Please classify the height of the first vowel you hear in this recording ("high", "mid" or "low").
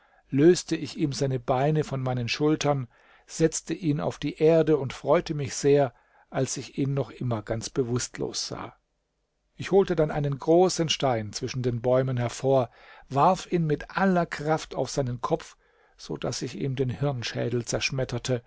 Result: mid